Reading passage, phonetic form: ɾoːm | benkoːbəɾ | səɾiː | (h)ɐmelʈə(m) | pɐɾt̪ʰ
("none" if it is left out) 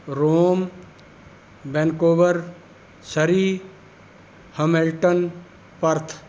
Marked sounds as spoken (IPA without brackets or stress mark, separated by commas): h, n